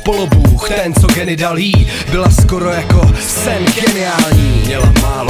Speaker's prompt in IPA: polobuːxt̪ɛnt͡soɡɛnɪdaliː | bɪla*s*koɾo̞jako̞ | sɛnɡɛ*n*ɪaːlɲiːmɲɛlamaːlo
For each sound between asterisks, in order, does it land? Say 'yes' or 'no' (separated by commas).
yes, yes